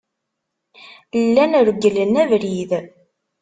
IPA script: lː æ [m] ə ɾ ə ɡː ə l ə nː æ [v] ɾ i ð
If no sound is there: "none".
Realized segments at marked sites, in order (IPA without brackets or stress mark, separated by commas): n, v